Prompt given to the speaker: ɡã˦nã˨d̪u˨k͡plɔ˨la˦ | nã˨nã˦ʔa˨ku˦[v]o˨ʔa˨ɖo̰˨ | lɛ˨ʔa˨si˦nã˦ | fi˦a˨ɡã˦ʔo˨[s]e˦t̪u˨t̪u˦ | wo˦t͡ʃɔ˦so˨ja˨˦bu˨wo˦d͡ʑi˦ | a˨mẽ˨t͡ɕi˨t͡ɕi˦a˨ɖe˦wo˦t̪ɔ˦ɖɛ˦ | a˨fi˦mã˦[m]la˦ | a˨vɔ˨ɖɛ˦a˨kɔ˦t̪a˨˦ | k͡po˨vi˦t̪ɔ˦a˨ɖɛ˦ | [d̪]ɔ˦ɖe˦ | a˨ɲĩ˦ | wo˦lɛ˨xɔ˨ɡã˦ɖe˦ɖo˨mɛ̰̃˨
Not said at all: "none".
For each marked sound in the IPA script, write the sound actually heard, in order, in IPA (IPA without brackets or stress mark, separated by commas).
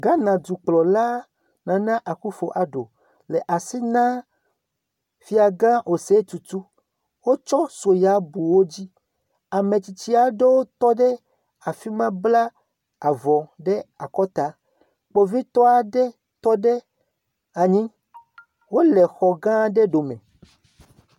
f, s, b, t̪